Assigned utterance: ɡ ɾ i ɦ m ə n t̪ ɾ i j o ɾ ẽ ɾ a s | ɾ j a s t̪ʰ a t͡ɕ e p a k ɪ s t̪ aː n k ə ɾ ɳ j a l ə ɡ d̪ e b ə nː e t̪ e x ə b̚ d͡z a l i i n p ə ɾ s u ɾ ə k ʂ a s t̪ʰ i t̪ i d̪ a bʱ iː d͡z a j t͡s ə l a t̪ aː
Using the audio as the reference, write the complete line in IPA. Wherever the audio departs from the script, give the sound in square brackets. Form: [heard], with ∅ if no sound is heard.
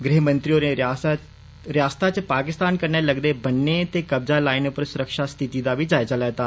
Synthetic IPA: ɡ ɾ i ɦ m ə n t̪ ɾ i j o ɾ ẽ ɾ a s | ɾ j a s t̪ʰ a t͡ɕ e p a k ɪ s t̪ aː n k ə ɾ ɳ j a l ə ɡ d̪ e b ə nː e t̪ e [k] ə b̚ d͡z a l [a] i n p ə ɾ s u ɾ ə k ʂ a s t̪ʰ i t̪ i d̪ a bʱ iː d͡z a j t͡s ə l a t̪ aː